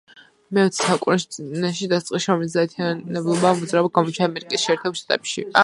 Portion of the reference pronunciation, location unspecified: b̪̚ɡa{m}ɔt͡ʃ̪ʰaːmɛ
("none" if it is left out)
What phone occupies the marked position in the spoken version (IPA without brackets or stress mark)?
m